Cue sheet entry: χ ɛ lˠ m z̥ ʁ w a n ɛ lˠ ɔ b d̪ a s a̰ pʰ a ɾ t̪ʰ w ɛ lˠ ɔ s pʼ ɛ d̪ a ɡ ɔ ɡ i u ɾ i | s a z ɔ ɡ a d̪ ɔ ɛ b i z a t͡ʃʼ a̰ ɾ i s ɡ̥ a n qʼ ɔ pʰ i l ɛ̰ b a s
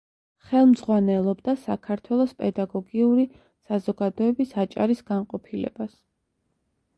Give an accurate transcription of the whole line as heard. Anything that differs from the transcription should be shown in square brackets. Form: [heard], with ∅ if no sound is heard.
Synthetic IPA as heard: χ ɛ lˠ m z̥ ʁ w a n ɛ lˠ ɔ b d̪ a s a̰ [kʰ] a ɾ t̪ʰ w ɛ lˠ ɔ s pʼ ɛ d̪ a ɡ ɔ ɡ i u ɾ i | s a z ɔ ɡ a d̪ ɔ ɛ b i [s] a t͡ʃʼ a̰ ɾ i s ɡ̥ a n qʼ ɔ pʰ i l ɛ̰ b a s